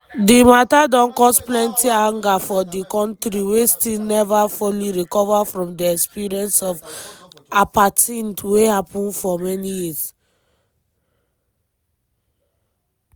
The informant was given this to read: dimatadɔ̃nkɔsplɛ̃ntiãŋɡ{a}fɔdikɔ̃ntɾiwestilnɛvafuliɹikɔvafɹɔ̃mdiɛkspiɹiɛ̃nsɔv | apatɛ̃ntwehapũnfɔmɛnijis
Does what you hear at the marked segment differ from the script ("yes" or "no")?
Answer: no